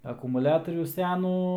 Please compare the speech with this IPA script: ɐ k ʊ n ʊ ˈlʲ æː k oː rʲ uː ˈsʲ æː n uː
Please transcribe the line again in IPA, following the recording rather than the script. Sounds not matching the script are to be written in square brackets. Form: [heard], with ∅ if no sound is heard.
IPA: ɐ k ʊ [m] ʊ ˈlʲ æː [t] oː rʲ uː ˈsʲ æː n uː